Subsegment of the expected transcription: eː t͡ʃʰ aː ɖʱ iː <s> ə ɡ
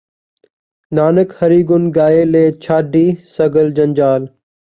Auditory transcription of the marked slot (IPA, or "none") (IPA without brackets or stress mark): s